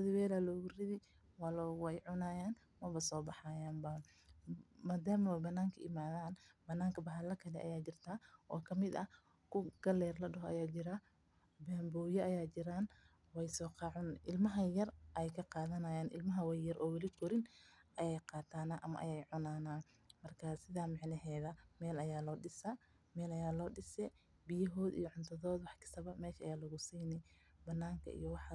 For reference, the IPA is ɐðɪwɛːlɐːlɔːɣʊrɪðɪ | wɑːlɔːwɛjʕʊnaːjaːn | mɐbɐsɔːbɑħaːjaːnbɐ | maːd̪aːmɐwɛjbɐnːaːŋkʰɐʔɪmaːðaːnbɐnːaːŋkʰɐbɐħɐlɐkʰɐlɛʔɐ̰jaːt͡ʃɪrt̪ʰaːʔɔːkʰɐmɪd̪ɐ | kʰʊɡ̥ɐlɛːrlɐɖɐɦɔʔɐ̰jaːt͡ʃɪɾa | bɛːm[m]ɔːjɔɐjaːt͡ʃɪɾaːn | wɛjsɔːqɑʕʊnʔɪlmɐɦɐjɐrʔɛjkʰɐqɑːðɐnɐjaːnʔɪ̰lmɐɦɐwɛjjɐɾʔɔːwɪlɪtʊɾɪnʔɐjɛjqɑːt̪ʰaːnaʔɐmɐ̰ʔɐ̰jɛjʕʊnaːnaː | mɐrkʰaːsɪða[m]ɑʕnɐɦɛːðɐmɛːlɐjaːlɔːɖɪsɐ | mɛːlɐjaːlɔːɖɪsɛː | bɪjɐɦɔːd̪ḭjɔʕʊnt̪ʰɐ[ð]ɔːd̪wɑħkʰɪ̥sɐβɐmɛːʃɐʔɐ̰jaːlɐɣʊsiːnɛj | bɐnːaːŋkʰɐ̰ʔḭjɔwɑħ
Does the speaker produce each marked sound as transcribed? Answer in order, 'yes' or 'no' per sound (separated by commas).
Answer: no, yes, yes